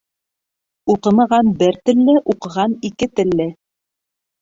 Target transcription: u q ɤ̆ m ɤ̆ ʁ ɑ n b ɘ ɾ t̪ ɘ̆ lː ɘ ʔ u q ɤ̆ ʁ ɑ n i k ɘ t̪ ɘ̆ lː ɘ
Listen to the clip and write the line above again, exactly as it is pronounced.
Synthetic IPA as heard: u q ɤ̆ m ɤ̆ ʁ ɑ n b ɘ ɾ t̪ ɘ̆ lː ɘ ʔ u q ɤ̆ ʁ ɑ n i k ɘ t̪ ɘ̆ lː ɘ

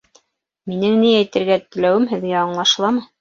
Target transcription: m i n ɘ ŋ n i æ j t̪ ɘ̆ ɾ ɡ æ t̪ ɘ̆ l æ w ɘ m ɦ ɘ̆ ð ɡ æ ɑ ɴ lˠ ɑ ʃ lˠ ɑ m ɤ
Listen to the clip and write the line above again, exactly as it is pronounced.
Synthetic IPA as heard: m i n ɘ ŋ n i æ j t̪ ɘ̆ ɾ ɡ æ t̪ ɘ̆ l æ w ɘ m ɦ ɘ̆ ð ɡ æ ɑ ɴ lˠ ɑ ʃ lˠ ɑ m ɤ

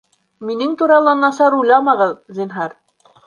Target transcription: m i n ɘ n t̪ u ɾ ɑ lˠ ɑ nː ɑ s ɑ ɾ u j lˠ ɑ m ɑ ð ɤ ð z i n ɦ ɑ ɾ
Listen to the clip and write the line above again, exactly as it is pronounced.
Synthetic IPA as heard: m i n ɘ ŋ t̪ u ɾ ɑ lˠ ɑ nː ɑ s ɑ ɾ u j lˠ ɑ m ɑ ʁ ɤ ð z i n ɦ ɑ ɾ

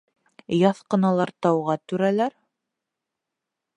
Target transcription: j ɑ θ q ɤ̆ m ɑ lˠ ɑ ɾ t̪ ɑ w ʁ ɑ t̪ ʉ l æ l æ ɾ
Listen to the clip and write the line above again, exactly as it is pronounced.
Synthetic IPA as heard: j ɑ θ q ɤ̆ n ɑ lˠ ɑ ɾ t̪ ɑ w ʁ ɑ t̪ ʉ ɾ æ l æ ɾ

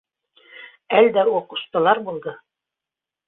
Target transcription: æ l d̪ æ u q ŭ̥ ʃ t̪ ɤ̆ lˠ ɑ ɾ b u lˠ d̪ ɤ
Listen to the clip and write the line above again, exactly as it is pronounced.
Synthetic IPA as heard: æ l d̪ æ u q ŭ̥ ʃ t̪ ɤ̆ lˠ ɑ ɾ b u lˠ d̪ ɤ

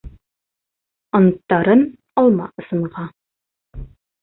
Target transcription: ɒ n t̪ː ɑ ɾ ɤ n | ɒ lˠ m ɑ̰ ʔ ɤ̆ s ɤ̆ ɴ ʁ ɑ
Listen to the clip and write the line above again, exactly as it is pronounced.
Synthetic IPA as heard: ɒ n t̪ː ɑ ɾ ɤ n | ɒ lˠ m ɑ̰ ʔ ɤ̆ s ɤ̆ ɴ ʁ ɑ

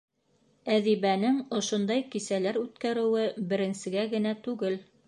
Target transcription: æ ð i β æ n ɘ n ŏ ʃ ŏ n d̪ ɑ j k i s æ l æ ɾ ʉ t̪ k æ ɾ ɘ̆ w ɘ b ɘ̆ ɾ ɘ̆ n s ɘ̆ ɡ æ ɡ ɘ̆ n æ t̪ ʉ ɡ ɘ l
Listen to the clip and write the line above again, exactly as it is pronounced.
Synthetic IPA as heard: æ ð i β æ n ɘ ŋ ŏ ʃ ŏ n d̪ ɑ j k i s æ l æ ɾ ʉ t̪ k æ ɾ ɘ̆ w ɘ b ɘ̆ ɾ ɘ̆ n s ɘ̆ ɡ æ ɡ ɘ̆ n æ t̪ ʉ ɡ ɘ l

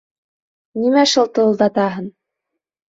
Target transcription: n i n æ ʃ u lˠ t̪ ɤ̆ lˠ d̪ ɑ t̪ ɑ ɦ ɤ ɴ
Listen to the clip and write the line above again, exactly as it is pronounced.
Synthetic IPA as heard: n i m æ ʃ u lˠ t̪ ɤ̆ lˠ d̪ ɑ t̪ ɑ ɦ ɤ n

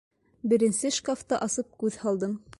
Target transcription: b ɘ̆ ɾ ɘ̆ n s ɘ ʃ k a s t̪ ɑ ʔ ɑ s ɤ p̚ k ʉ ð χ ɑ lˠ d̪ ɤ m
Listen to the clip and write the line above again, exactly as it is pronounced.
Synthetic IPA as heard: b ɘ̆ ɾ ɘ̆ n s ɘ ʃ k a f t̪ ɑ ʔ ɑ s ɤ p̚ k ʉ ð h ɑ lˠ d̪ ɤ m

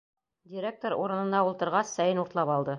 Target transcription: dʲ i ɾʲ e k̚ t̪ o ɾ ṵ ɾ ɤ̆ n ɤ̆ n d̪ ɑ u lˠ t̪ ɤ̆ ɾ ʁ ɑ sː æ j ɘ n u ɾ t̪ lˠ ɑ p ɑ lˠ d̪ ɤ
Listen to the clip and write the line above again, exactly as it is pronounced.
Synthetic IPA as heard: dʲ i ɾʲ e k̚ t̪ o ɾ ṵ ɾ ɤ̆ n ɤ̆ n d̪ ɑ u lˠ t̪ ɤ̆ ɾ ʁ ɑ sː æ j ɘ n u ɾ t̪ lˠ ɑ p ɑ lˠ d̪ ɤ

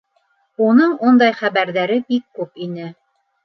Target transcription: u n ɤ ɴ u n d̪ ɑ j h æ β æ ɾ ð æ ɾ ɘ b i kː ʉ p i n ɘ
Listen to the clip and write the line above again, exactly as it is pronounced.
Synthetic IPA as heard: u n ɤ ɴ u n d̪ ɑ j χ æ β æ ɾ ð æ ɾ ɘ b i kː ʉ p i n ɘ

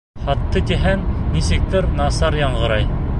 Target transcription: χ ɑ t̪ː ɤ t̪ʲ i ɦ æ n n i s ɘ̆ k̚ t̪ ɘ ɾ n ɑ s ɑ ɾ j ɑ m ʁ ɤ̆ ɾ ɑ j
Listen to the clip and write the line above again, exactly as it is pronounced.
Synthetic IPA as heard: χ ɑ t̪ː ɤ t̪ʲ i ɦ æ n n i s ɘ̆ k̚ t̪ ɘ ɾ n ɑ s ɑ ɾ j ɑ ɴ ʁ ɤ̆ ɾ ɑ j

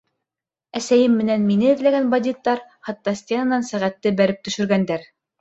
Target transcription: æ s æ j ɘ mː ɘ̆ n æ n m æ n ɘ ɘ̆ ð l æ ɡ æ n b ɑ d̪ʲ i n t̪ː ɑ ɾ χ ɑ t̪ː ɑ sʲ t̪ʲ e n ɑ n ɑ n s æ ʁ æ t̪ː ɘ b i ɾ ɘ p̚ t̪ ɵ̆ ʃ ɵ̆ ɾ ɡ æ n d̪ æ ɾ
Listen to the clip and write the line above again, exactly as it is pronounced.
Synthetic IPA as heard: æ s æ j ɘ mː ɘ̆ n æ n m i n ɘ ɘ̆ ð l æ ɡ æ n b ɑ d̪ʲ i t̪ː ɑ ɾ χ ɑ t̪ː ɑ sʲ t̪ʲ e n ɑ n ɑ n s æ ʁ æ t̪ː ɘ b æ ɾ ɘ p̚ t̪ ɵ̆ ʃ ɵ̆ ɾ ɡ æ n d̪ æ ɾ

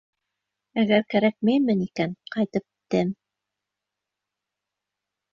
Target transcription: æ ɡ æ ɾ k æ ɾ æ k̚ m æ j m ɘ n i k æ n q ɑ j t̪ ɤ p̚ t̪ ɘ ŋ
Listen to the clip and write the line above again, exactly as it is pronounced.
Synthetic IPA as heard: æ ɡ æ ɾ k æ ɾ æ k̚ m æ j m ɘ n i k æ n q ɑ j t̪ ɤ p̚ t̪ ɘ m

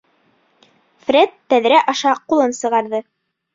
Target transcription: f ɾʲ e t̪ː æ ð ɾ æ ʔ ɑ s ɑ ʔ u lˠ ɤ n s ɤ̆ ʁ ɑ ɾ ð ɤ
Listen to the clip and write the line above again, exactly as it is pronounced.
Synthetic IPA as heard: f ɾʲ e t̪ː æ ð ɾ æ ʔ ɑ ʃ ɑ q u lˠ ɤ n s ɤ̆ ʁ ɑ ɾ ð ɤ

